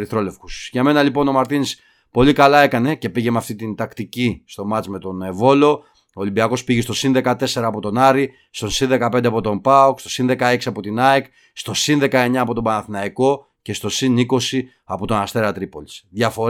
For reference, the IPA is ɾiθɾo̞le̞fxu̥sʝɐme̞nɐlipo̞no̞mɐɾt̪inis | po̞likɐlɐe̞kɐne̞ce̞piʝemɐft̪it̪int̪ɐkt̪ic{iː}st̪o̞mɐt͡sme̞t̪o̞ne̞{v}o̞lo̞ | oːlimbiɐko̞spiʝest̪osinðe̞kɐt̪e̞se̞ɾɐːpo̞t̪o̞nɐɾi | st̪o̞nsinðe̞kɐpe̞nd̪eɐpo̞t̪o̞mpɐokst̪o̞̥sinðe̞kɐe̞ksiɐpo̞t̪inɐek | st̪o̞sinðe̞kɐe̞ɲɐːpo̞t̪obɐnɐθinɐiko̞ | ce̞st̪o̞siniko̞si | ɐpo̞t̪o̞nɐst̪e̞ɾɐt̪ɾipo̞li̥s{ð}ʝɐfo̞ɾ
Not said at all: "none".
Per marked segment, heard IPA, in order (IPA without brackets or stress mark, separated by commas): i, v, ð